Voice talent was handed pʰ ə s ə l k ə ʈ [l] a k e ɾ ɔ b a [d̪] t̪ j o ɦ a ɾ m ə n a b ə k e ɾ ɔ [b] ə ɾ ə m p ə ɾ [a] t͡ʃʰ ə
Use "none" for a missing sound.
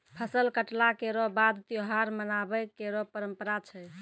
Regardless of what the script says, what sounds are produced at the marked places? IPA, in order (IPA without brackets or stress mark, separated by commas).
l, d̪, p, a